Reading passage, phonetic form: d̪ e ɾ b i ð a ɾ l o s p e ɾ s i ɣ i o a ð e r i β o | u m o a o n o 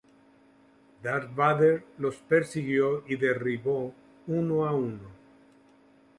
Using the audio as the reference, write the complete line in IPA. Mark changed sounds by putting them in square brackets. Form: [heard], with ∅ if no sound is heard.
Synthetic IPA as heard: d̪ [a] ɾ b [a] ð [e] ɾ l o s p e ɾ s i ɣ [j] o [i] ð e r i β o | u [n] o a [u] n o